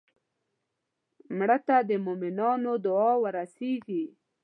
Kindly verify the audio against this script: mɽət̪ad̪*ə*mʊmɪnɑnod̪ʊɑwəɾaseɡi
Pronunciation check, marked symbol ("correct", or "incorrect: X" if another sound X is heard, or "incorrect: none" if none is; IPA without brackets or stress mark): correct